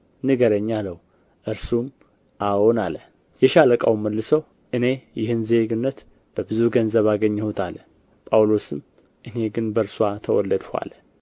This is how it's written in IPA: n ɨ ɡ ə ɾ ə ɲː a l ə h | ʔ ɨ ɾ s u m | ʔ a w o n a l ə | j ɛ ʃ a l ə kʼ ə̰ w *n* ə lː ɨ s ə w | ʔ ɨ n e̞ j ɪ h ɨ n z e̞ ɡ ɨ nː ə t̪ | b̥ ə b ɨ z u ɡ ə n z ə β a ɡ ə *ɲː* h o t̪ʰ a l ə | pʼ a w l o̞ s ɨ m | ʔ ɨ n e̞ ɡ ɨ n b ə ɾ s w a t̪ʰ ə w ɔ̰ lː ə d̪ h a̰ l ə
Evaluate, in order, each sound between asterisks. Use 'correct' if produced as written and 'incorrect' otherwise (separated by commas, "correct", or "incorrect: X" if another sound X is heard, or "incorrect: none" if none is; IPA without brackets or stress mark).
incorrect: m, correct